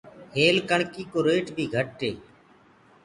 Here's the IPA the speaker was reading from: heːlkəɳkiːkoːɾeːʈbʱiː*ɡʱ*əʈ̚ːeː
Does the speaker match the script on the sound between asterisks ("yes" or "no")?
yes